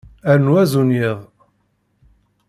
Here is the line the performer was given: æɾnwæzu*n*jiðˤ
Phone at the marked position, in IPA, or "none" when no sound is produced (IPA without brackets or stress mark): n